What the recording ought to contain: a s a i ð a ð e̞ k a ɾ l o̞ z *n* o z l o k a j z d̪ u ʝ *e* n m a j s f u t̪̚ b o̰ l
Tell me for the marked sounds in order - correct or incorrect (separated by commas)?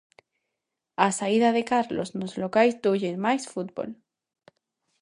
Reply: correct, correct